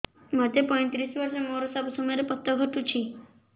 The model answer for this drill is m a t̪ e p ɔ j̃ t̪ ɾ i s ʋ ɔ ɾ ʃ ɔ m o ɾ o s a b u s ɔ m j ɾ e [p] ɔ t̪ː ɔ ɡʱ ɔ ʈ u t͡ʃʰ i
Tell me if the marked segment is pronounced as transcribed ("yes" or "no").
yes